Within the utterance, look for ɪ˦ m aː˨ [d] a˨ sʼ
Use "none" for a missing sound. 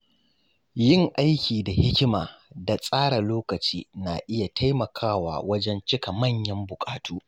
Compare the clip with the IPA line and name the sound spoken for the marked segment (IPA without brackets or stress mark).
d